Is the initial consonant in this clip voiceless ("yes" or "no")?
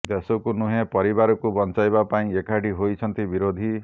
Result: no